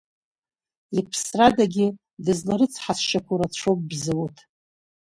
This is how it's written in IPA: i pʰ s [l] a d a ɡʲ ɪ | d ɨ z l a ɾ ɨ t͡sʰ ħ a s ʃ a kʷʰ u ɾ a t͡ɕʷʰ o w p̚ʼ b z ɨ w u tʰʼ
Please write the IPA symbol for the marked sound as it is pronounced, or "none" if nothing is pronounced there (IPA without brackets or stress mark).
r